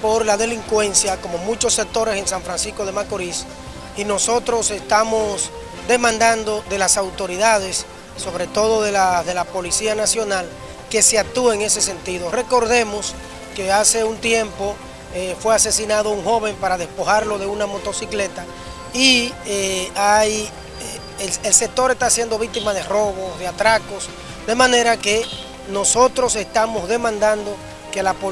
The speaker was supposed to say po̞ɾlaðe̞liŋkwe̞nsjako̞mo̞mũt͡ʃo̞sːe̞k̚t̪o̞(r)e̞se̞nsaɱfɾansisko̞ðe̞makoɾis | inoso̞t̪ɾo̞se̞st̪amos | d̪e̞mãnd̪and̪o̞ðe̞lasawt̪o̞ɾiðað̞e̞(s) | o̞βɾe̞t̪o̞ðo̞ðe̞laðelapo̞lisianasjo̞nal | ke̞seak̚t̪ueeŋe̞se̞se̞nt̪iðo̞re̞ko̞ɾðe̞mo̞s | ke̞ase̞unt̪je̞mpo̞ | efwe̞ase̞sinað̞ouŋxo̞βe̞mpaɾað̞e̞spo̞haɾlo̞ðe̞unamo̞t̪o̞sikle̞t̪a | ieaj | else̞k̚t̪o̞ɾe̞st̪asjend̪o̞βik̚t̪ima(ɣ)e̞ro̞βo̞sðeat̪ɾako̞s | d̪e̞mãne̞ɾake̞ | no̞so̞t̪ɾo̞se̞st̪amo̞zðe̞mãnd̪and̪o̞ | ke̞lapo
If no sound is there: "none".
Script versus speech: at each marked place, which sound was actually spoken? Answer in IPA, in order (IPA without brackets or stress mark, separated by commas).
ɾ, sː, ð